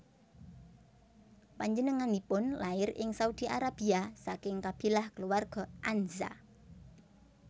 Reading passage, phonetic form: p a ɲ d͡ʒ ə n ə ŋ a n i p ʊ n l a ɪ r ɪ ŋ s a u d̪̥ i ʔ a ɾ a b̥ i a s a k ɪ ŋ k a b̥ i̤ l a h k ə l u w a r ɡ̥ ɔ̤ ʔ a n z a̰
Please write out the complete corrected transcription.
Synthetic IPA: p a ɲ d͡ʒ ə n ə ŋ a n i p ʊ n l a ɪ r ɪ ŋ s a u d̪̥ i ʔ a ɾ a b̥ i a s a k ɪ ŋ k a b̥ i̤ l a h k ə l u w a r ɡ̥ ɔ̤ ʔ a n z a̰